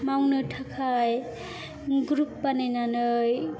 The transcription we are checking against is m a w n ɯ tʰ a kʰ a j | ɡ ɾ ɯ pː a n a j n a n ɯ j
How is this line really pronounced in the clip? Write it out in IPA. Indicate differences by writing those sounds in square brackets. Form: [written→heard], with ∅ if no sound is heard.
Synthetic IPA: m a w n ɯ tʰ a kʰ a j | ɡ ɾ [ɯ→u] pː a n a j n a n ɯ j

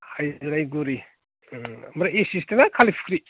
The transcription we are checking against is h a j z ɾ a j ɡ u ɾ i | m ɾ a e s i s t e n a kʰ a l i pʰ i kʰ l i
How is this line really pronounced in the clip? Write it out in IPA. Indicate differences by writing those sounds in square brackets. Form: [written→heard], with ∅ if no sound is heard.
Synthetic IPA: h a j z ɾ a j ɡ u ɾ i | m ɾ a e s i s t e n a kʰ a l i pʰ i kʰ [l→ɾ] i

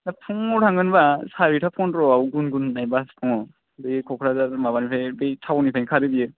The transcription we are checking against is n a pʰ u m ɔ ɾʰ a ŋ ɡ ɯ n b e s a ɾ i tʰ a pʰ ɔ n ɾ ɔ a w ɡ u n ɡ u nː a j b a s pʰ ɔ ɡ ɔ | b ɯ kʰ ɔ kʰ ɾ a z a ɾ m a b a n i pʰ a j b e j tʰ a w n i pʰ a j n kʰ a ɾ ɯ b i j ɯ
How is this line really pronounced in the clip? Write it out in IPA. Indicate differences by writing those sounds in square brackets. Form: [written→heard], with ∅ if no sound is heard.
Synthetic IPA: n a pʰ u [m→ŋ] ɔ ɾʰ a ŋ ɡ ɯ n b [e→a] s a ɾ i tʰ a pʰ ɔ n ɾ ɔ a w ɡ u n ɡ u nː a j b a s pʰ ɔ [ɡ→ŋ] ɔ | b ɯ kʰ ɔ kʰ ɾ a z a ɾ m a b a n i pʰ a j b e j tʰ a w n i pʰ a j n kʰ a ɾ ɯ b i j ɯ

